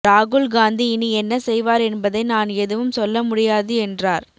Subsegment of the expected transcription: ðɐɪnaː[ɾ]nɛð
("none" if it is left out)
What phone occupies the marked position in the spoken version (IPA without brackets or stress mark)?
none